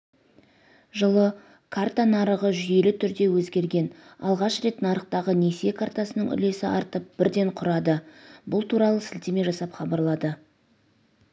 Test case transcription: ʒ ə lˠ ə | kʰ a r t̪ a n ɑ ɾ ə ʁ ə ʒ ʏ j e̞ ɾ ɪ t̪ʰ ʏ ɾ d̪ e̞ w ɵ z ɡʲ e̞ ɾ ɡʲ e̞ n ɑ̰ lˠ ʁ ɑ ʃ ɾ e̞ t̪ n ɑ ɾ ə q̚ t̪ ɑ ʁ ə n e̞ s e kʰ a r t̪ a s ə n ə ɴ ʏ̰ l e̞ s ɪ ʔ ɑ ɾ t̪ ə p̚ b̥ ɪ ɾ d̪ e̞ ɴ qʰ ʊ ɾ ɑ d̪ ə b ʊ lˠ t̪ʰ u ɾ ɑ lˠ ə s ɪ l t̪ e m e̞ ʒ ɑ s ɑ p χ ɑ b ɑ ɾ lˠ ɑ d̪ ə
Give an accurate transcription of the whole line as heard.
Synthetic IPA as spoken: ʒ ə lˠ ə | kʰ a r t̪ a n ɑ ɾ ə ʁ ə ʒ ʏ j e̞ l ɪ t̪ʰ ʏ ɾ d̪ e̞ w ɵ z ɡʲ e̞ ɾ ɡʲ e̞ n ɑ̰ lˠ ʁ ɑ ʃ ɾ e̞ t̪ n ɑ ɾ ə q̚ t̪ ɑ ʁ ə n e̞ s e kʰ a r t̪ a s ə n ə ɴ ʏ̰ l e̞ s ɪ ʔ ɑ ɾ t̪ ə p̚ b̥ ɪ ɾ d̪ e̞ ɴ qʰ ʊ ɾ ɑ d̪ ə b ʊ lˠ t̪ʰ u ɾ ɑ lˠ ə s ɪ l t̪ e m e̞ ʒ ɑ s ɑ p χ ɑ b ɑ ɾ lˠ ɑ d̪ ə